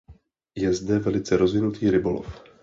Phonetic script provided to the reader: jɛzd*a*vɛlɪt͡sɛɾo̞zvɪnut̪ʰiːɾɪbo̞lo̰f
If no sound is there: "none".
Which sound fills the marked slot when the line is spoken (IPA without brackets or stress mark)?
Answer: ɛ